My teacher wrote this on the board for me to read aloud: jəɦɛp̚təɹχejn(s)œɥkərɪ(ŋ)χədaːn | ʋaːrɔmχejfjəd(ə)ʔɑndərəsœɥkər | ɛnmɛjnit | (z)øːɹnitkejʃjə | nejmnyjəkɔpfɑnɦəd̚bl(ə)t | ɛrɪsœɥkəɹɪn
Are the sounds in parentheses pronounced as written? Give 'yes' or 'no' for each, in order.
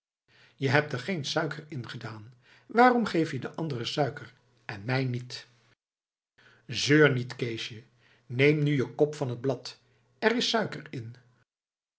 yes, no, yes, yes, no

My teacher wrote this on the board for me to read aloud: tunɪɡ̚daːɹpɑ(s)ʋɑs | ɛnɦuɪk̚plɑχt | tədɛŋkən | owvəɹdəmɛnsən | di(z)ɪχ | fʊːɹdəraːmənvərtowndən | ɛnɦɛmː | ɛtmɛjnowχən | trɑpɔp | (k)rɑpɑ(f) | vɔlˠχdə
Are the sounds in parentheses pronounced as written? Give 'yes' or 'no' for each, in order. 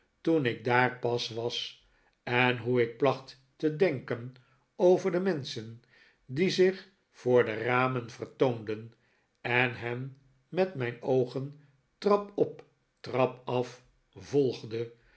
yes, yes, no, yes

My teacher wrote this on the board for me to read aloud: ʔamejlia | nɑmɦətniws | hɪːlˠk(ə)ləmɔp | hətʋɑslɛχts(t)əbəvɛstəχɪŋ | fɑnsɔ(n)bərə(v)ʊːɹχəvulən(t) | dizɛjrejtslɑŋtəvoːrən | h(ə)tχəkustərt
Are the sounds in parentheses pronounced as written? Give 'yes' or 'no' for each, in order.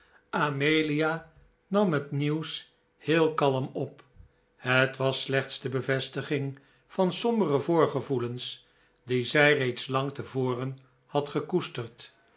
no, no, no, yes, no, no

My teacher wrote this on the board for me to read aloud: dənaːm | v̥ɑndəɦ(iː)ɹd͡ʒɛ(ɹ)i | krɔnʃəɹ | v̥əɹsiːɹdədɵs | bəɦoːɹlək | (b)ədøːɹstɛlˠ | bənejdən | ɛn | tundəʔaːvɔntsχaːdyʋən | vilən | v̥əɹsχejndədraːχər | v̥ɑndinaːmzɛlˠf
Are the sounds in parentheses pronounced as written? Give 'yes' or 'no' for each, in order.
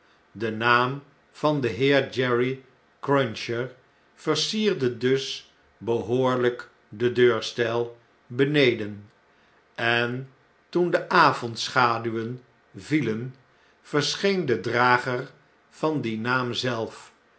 no, yes, no

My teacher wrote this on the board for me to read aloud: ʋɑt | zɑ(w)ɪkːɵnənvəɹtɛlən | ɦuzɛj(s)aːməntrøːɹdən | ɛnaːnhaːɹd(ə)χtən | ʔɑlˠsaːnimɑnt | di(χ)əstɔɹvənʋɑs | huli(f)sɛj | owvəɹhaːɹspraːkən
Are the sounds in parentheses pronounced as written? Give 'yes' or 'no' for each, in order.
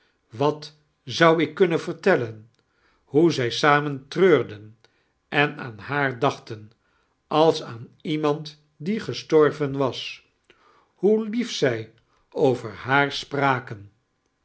yes, yes, no, yes, yes

